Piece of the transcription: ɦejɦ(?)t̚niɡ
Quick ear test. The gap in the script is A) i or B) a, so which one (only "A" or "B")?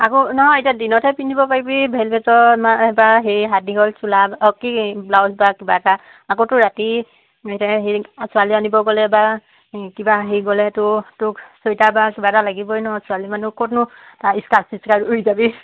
B